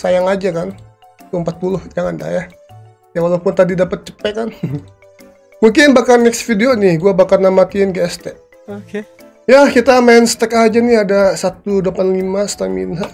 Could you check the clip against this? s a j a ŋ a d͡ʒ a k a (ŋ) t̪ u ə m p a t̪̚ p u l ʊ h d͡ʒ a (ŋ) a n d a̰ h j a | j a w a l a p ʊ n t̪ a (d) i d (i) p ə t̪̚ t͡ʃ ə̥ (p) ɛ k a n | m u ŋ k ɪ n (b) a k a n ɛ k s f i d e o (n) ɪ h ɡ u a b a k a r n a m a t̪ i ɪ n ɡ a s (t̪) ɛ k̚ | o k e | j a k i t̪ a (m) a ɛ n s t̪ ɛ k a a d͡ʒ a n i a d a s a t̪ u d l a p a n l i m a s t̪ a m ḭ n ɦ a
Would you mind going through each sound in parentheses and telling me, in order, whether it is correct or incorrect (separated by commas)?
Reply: incorrect, correct, correct, incorrect, correct, correct, correct, correct, correct